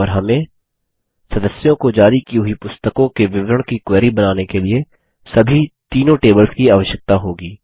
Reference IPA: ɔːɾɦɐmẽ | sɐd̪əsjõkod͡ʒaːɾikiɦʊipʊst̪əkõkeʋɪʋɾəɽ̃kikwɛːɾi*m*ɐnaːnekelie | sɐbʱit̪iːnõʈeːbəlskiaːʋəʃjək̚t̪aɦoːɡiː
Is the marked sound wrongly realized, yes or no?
yes